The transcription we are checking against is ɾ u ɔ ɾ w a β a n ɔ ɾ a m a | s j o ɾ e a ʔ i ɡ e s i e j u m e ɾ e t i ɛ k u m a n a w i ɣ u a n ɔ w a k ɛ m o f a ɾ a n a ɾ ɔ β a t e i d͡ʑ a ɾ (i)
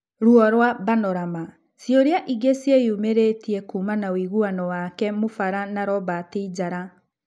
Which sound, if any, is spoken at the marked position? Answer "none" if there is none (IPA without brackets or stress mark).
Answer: a